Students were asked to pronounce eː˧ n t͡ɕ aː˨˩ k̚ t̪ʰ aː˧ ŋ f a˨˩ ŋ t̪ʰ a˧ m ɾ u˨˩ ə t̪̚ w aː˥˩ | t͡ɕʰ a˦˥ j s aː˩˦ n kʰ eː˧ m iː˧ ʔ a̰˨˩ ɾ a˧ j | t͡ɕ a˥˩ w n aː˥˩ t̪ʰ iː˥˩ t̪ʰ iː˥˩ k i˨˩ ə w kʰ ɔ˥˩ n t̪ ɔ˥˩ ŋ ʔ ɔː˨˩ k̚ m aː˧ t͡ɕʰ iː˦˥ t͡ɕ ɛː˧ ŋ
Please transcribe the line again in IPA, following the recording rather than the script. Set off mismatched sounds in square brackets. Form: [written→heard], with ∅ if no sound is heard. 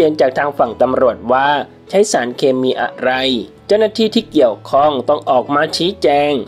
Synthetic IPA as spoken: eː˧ n t͡ɕ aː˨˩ k̚ t̪ʰ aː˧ ŋ f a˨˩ ŋ [t̪ʰ→t̪] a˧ m ɾ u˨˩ ə t̪̚ w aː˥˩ | t͡ɕʰ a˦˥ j s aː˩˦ n kʰ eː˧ m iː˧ ʔ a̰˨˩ ɾ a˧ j | t͡ɕ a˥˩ w n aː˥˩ t̪ʰ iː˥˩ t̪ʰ iː˥˩ k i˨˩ ə w kʰ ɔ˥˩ [n→ŋ] t̪ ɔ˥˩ ŋ ʔ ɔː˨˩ k̚ m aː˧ t͡ɕʰ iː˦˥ t͡ɕ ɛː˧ ŋ

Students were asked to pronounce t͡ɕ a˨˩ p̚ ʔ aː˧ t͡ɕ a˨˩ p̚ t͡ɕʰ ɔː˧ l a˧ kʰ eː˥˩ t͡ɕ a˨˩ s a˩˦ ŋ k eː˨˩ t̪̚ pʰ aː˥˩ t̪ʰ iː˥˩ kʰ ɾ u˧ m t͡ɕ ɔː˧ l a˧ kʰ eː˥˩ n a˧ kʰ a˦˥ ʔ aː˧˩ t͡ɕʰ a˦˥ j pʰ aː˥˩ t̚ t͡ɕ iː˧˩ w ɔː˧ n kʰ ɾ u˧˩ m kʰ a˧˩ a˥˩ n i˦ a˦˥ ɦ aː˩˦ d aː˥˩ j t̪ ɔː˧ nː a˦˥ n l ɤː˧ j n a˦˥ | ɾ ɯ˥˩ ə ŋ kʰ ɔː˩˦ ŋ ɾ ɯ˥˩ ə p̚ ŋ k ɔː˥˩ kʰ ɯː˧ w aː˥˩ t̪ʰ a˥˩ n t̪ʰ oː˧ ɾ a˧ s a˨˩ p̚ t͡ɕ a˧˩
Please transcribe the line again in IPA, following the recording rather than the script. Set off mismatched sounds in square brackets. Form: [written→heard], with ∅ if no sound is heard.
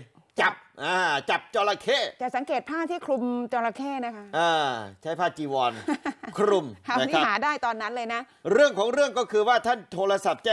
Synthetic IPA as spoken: t͡ɕ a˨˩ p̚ ʔ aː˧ t͡ɕ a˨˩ p̚ [t͡ɕʰ→t͡ɕ] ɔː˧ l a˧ kʰ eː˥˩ t͡ɕ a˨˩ s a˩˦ ŋ k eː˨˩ t̪̚ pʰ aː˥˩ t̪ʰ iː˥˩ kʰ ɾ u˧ m t͡ɕ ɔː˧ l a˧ kʰ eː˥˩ n [a˧→a˦˥] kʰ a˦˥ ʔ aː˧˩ t͡ɕʰ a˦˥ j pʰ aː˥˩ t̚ t͡ɕ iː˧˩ w ɔː˧ n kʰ ɾ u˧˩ m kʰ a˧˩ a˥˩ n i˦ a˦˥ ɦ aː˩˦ d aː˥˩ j t̪ ɔː˧ nː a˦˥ n l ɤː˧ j n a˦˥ | ɾ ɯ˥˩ ə ŋ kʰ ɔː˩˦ ŋ ɾ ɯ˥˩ ə [p̚→∅] ŋ k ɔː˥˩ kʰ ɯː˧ w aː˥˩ t̪ʰ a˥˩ n t̪ʰ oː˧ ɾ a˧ s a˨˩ p̚ t͡ɕ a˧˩

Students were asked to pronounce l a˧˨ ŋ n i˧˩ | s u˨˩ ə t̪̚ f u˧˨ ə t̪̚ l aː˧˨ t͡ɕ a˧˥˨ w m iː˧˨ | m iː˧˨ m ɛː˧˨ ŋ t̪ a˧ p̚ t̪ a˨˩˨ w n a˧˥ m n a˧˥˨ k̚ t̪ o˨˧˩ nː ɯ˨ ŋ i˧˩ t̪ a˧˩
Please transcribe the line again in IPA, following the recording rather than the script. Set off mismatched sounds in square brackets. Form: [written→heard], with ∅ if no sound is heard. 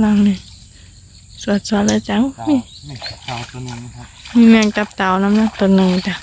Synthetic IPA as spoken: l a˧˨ ŋ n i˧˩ | s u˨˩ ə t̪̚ [f→s] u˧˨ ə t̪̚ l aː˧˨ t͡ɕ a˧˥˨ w m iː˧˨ | m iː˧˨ m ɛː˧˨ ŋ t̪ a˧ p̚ t̪ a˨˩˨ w n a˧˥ m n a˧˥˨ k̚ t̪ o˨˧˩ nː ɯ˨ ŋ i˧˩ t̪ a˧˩

